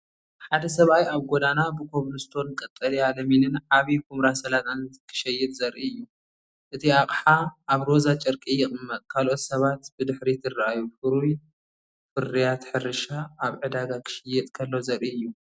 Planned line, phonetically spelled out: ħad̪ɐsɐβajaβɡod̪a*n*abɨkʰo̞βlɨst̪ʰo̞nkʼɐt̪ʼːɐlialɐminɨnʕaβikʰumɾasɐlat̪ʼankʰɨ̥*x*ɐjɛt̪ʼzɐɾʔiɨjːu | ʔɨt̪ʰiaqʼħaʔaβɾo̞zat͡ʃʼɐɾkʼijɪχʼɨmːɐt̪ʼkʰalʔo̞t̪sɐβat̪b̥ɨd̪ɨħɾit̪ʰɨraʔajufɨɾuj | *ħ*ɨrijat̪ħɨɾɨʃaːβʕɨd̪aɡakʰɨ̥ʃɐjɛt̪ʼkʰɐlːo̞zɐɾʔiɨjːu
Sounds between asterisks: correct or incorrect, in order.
correct, incorrect: ʃ, incorrect: f

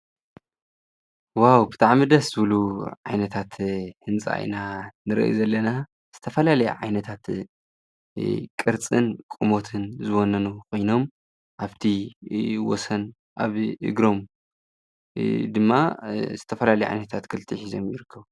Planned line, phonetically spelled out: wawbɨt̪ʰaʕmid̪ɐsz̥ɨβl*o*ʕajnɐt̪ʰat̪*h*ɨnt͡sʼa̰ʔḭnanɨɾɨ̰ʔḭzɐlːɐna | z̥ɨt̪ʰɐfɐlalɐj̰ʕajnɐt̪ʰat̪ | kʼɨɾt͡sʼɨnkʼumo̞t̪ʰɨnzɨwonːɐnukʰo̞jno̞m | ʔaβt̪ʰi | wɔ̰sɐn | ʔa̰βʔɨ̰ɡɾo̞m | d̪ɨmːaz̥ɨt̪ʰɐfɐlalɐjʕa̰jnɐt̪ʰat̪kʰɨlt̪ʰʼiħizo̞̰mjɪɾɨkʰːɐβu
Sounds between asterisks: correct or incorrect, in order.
incorrect: u, correct

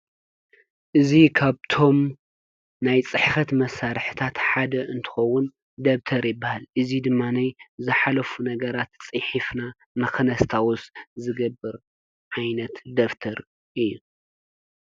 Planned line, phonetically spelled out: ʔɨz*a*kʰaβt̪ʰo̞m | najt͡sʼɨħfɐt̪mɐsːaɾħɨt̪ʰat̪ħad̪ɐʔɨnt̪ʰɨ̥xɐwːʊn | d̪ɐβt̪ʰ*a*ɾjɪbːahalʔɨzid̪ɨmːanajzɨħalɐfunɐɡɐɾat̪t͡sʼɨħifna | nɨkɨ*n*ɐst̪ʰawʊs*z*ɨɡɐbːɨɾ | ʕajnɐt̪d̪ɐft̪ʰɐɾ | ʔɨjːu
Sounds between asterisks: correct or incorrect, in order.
incorrect: i, incorrect: ɐ, correct, correct

